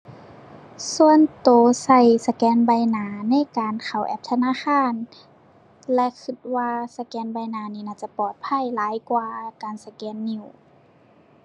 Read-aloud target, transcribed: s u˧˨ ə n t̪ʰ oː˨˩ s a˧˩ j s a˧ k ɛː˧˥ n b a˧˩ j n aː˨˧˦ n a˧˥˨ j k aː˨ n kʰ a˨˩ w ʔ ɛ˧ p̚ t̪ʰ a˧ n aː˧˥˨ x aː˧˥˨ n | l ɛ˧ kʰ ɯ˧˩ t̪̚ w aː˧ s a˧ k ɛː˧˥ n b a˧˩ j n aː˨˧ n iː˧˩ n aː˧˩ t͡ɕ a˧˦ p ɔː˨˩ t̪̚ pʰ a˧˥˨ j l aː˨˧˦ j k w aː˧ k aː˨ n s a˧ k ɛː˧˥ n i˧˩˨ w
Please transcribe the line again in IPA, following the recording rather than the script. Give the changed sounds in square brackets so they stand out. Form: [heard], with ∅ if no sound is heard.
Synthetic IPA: s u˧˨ ə n [t̪] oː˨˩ s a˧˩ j s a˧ k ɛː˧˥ n b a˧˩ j n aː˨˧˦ n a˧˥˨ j k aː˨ n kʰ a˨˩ w ʔ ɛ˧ p̚ t̪ʰ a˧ n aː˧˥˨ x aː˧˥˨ n | l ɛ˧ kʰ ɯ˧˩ t̪̚ w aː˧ s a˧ k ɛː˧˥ n b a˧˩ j n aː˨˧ n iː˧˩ n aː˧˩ t͡ɕ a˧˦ p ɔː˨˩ t̪̚ pʰ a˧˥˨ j l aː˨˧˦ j k w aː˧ k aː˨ n s a˧ k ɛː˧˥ [nː] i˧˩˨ w